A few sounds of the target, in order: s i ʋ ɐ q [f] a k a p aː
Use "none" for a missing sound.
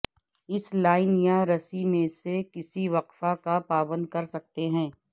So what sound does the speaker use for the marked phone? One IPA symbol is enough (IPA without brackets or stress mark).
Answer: f